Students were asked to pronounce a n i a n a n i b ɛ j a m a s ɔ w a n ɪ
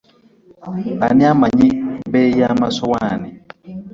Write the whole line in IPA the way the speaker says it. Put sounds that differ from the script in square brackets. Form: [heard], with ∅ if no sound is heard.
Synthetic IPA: a n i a [m] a [ɲ] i b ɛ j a m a s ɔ w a n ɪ